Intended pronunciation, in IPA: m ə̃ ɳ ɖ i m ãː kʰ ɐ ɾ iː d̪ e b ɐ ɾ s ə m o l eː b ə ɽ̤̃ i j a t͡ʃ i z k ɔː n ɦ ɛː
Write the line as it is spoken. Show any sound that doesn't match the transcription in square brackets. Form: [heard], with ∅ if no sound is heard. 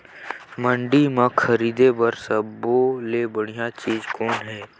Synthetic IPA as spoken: m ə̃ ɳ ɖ i m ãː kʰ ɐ ɾ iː d̪ e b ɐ ɾ s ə [b] o l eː b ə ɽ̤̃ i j a t͡ʃ [iː] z k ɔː n ɦ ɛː